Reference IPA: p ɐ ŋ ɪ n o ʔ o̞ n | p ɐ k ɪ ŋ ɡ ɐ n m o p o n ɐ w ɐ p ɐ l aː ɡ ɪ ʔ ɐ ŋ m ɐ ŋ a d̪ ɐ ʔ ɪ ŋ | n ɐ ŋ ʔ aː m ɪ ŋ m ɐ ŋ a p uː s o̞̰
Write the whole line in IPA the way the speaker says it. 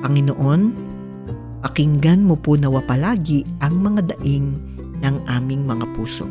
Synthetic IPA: p ɐ ŋ ɪ n o ʔ o̞ n | p ɐ k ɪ ŋ ɡ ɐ n m o p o n ɐ w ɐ p ɐ l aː ɡ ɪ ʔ ɐ ŋ m ɐ ŋ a d̪ ɐ ʔ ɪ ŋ | n ɐ ŋ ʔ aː m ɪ ŋ m ɐ ŋ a p uː s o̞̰